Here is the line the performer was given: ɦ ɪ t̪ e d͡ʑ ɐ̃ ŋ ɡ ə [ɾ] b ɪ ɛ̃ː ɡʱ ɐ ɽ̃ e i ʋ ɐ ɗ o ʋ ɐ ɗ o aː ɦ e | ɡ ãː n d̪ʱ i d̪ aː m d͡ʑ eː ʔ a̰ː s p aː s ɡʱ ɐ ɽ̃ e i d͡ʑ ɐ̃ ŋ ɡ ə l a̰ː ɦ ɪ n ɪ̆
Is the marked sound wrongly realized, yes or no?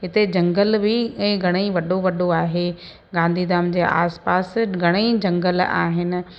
yes